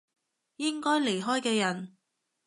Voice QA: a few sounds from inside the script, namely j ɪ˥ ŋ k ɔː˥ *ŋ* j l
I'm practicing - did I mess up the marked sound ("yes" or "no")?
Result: yes